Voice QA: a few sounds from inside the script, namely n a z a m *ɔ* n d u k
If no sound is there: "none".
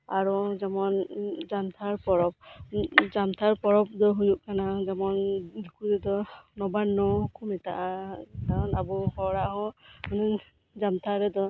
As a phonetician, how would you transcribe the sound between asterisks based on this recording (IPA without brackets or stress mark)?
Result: ɔ